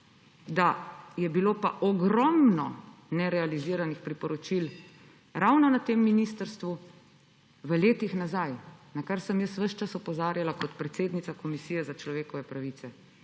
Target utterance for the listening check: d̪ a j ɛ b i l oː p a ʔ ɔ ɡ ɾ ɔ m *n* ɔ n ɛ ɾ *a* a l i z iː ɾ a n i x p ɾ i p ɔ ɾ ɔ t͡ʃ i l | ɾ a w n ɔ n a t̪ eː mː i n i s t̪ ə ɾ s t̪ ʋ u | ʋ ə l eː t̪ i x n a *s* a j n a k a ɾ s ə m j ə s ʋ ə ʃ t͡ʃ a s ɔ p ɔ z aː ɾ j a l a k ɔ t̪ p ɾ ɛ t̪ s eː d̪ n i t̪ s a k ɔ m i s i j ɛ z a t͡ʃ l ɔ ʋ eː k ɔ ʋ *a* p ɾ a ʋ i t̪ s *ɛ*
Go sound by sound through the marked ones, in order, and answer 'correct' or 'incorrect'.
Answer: correct, incorrect: ɛ, incorrect: z, incorrect: ɛ, correct

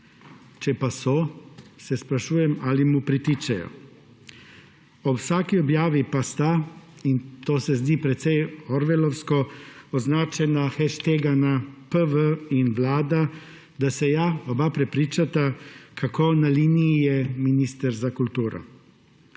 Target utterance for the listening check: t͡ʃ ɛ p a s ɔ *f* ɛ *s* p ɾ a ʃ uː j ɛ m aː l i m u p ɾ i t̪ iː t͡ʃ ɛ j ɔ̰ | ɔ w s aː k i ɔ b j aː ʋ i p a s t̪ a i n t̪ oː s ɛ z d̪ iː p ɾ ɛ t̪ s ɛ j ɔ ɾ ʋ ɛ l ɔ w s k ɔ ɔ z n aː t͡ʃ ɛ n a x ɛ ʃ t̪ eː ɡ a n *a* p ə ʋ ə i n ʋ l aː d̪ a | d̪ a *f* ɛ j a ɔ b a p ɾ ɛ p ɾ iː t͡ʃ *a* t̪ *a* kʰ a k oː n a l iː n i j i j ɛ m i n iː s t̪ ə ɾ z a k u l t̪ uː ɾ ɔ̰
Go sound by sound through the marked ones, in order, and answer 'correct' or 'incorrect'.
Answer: incorrect: s, correct, correct, incorrect: s, correct, correct

